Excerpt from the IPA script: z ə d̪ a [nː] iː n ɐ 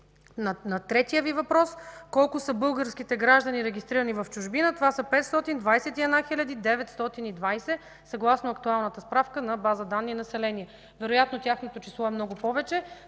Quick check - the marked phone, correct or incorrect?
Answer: correct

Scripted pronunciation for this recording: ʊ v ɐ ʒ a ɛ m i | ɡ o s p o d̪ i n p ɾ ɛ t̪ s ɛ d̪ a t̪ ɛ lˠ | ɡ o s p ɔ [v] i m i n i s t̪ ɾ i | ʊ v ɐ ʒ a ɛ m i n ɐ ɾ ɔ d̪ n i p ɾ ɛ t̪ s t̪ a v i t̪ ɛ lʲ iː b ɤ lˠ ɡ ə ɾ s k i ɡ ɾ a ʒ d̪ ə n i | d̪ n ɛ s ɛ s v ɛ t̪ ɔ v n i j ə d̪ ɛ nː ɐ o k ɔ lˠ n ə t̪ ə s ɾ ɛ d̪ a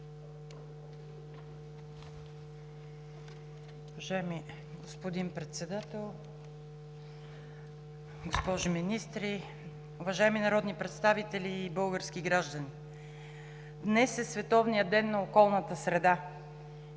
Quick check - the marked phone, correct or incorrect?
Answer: incorrect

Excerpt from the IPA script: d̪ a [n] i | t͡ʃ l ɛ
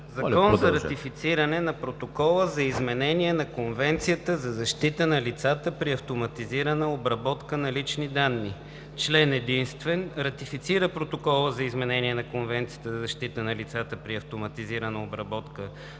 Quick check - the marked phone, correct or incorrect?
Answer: incorrect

